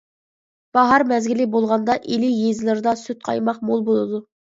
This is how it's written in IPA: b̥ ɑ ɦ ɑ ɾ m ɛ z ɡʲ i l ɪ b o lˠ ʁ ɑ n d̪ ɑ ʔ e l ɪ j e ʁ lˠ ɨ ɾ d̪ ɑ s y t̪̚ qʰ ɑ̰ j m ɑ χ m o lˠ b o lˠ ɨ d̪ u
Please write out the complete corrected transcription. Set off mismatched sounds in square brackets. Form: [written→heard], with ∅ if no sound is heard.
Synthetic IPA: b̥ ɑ ɦ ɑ ɾ m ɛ z ɡʲ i l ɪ b o lˠ ʁ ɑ n d̪ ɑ ʔ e l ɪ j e [ʁ→z] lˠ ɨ ɾ d̪ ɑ s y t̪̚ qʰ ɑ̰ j m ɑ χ m o lˠ b o lˠ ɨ d̪ u